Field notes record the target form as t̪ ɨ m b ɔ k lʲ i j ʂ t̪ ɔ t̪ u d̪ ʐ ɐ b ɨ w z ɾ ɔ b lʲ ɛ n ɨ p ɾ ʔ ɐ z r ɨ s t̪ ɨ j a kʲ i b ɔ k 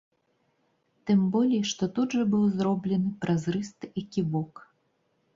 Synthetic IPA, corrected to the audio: t̪ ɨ m b ɔ lʲ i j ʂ t̪ ɔ t̪ u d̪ ʐ ɐ b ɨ w z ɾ ɔ b lʲ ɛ n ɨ p ɾ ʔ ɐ z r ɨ s t̪ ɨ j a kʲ i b ɔ k